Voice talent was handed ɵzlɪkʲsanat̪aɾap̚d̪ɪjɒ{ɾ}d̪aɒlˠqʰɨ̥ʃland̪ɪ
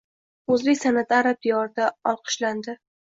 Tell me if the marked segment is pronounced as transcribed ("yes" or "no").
yes